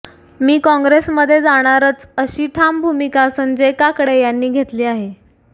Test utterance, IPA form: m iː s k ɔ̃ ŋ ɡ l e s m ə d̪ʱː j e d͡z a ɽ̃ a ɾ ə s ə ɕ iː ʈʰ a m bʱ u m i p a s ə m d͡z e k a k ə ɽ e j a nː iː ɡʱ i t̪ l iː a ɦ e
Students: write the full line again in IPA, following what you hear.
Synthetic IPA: m iː k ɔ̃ ŋ ɡ ɾ e s m ə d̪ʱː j e d͡z a ɽ̃ a ɾ ə t͡s ə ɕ iː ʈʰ a m bʱ u m i k a s ə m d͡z e k a k ə ɽ e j a nː iː ɡʱ e t̪ l iː a ɦ e

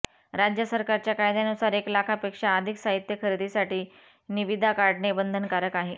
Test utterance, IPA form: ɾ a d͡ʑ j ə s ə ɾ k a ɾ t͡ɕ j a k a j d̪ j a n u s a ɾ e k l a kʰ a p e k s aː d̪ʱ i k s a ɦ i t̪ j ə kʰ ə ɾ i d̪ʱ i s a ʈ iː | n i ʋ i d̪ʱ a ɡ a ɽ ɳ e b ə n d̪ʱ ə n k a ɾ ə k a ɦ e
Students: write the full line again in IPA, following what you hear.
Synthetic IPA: ɾ a d͡ʑ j ə s ə ɾ k a ɾ t͡ɕ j a k a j d̪ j a n u s a ɾ e k l a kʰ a p e k ʂ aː d̪ʱ i k s a ɦ i t̪ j ə kʰ ə ɾ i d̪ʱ i s a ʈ iː | n i ʋ i d̪ʱ a k a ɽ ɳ e b ə n d̪ʱ ə n k a ɾ ə k a ɦ e

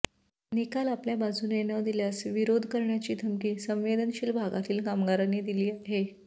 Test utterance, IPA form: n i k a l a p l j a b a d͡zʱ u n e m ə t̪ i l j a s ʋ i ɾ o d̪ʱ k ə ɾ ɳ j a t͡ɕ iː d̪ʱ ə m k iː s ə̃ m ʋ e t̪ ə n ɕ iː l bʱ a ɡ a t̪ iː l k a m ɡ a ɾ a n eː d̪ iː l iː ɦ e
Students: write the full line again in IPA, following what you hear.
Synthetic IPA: n i k a l a p l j a b a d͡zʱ u n e n ə d̪ i l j a s ʋ i ɾ o d̪ʱ k ə ɾ ɳ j a t͡ɕ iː d̪ʱ ə m k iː s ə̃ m ʋ e d̪ ə n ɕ iː l bʱ a ɡ a t̪ iː l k a m ɡ a ɾ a n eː d̪ i l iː ɦ e

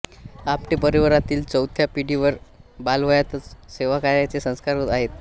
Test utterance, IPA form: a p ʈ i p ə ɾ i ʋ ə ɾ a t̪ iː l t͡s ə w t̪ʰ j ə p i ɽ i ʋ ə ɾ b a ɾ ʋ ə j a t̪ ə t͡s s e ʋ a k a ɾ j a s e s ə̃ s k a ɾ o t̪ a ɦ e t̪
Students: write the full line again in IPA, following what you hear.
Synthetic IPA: a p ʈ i p ə ɾ i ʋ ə ɾ a t̪ iː l t͡s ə w t̪ʰ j a p i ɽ i ʋ ə ɾ b a l ʋ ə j a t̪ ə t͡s s e ʋ a k a ɾ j a t͡s e s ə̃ s k a ɾ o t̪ a ɦ e t̪

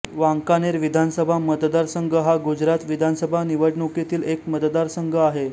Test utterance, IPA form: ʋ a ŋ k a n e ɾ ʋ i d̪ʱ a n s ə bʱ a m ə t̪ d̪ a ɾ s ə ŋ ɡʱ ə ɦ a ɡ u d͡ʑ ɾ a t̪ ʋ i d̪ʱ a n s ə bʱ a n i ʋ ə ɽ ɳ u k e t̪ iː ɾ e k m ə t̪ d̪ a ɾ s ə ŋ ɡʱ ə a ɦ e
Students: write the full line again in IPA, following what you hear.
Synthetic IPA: ʋ a ŋ k a n e ɾ ʋ i d̪ʱ a n s ə bʱ a m ə t̪ d̪ a ɾ s ə ŋ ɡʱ ə ɦ a ɡ u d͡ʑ ɾ a t̪ ʋ i d̪ʱ a n s ə bʱ a n i ʋ ə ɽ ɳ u k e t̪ iː l e k m ə t̪ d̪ a ɾ s ə ŋ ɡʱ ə a ɦ e

